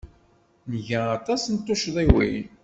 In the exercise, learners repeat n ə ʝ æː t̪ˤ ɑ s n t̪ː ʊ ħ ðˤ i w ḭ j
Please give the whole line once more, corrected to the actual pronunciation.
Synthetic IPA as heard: n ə ʝ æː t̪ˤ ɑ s n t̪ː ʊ ʃ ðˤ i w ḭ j